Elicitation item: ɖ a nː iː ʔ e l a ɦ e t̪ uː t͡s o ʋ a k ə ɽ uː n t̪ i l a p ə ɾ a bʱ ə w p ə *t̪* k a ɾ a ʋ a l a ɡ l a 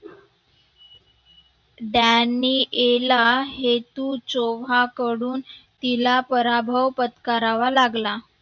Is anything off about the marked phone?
no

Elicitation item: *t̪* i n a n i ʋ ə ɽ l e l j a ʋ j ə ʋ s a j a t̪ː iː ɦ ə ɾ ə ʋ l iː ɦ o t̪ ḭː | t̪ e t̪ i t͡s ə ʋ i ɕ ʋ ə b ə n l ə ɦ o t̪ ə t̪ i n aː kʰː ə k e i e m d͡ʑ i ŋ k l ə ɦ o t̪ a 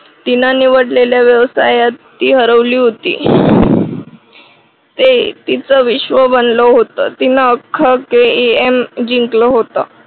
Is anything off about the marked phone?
no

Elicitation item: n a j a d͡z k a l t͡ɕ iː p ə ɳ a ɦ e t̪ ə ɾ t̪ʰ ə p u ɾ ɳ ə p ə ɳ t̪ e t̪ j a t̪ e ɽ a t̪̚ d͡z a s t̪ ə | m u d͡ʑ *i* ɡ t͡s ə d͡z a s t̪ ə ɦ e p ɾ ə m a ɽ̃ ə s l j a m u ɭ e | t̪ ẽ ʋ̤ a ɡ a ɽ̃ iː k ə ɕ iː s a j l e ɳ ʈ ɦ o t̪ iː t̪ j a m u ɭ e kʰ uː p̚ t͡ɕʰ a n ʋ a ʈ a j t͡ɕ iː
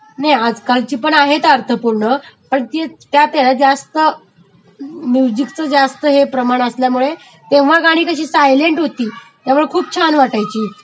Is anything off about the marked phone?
no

